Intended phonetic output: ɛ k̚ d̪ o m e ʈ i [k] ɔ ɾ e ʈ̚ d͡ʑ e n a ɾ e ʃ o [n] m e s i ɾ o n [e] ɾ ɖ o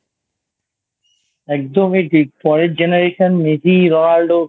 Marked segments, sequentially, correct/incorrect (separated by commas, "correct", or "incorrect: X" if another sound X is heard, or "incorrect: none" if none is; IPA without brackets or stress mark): incorrect: p, correct, incorrect: a